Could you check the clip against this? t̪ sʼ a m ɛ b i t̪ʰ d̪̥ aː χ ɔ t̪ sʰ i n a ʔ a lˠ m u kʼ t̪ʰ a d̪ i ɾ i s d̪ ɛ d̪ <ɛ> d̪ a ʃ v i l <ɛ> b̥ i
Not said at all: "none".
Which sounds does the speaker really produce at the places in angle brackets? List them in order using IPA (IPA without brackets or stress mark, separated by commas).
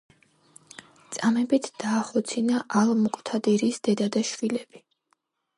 a, ɛ